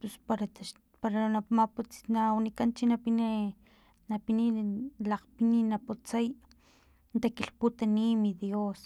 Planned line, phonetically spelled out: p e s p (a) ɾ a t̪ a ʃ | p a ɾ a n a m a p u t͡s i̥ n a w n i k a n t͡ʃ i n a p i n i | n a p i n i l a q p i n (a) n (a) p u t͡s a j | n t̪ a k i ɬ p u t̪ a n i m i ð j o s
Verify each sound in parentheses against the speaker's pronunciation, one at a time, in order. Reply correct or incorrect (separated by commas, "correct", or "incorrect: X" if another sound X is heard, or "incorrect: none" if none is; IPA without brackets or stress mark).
correct, incorrect: i, correct